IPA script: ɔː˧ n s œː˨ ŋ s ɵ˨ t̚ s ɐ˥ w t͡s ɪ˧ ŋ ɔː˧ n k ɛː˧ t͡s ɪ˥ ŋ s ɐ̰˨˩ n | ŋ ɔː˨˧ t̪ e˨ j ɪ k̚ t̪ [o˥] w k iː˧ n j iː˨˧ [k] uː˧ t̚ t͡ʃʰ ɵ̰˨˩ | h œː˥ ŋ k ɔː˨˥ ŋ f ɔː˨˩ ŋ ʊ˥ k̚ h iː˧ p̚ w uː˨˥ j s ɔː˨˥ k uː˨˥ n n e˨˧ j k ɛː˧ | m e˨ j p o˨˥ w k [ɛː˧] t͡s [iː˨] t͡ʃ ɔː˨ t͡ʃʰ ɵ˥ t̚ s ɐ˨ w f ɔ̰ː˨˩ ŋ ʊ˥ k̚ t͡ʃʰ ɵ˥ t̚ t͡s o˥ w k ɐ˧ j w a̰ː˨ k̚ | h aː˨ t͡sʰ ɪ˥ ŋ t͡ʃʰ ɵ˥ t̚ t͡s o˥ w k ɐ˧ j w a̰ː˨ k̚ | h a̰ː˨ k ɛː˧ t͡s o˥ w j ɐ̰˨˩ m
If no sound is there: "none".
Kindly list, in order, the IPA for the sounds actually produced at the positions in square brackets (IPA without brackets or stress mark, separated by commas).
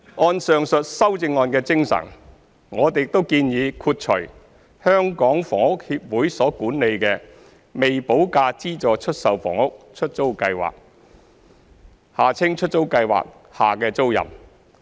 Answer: o˥, kʰ, aː˧, iː˥